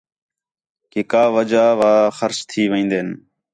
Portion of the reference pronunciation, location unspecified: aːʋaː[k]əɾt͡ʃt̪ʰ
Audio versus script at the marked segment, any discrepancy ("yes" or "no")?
yes